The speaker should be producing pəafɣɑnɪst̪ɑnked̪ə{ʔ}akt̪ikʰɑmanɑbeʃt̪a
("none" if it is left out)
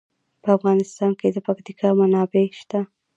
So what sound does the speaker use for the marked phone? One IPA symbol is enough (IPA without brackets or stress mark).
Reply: p